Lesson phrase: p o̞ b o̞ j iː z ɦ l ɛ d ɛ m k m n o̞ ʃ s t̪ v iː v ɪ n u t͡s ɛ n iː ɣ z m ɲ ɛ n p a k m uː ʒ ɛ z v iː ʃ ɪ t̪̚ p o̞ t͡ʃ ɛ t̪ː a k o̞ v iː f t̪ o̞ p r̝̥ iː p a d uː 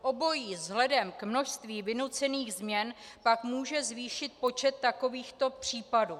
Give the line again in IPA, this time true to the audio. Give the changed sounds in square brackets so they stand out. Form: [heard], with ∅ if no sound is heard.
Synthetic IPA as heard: [ʔ] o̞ b o̞ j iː z ɦ l ɛ d ɛ m k m n o̞ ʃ s t̪ v iː v ɪ n u t͡s ɛ n iː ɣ z m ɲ ɛ n p a k m uː ʒ ɛ z v iː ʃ ɪ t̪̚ p o̞ t͡ʃ ɛ t̪ː a k o̞ v iː [x] t̪ o̞ p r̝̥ iː p a d uː